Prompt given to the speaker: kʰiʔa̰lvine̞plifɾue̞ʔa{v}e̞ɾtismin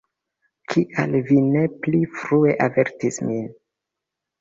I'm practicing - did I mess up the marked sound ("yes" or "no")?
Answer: no